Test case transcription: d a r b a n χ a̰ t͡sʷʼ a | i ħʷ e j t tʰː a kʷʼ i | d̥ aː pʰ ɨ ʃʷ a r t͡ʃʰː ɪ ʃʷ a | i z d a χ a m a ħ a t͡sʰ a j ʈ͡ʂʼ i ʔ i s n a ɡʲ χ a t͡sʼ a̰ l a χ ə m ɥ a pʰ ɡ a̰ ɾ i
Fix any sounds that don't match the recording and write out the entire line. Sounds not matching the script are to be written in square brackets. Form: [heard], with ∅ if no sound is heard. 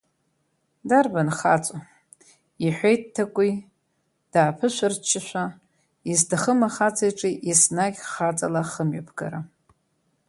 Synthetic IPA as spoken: d a r b a n χ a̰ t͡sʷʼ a | i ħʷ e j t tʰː a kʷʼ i | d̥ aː pʰ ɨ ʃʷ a r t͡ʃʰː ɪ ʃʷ a | i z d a χ [ə] m a [χ] a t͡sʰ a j ʈ͡ʂʼ i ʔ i s n a ɡʲ χ a t͡sʼ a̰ l a χ ə m ɥ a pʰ ɡ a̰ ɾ [a]